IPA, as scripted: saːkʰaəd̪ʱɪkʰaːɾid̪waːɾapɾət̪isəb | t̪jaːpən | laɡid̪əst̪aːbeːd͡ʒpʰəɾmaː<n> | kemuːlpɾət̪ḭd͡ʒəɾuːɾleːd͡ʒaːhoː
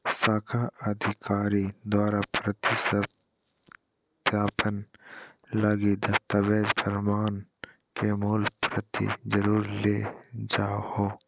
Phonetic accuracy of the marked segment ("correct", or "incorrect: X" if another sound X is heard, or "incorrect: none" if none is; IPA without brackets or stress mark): correct